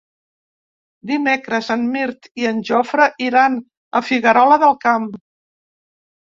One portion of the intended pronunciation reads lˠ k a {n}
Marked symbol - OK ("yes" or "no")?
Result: no